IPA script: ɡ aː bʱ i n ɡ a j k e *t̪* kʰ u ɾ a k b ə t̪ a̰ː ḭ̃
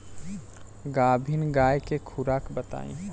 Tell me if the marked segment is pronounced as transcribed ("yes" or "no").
no